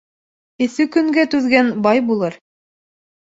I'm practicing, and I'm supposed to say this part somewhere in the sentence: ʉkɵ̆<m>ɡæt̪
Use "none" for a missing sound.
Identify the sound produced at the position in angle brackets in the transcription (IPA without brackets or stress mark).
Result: ŋ